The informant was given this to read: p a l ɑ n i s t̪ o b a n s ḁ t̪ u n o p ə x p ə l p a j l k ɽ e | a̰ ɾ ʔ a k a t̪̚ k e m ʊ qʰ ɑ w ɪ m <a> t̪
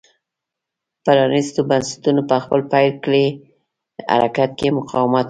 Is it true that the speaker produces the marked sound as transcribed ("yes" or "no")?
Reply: yes